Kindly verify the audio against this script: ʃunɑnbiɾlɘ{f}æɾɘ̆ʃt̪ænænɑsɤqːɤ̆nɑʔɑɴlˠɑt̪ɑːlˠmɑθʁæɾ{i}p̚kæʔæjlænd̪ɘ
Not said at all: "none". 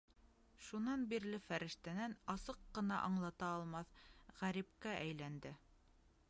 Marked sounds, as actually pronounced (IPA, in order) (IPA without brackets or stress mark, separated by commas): f, i